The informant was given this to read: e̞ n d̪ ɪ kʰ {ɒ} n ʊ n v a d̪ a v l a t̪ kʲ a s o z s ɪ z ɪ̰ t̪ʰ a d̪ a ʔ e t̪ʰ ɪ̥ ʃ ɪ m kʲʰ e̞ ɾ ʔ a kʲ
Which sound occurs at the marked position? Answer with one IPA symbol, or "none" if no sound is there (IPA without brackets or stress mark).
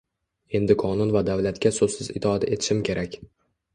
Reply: ɒ